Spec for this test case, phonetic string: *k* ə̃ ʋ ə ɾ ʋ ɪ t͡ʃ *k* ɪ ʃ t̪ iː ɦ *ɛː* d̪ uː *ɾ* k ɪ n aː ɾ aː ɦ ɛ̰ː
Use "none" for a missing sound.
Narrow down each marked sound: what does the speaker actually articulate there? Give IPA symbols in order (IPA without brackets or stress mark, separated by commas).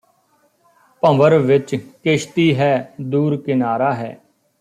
p, k, ɛː, ɾ